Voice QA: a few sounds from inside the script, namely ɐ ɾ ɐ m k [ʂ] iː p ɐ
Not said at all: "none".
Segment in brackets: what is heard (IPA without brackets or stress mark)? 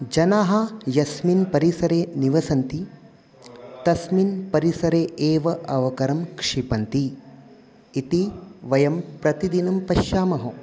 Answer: ʂ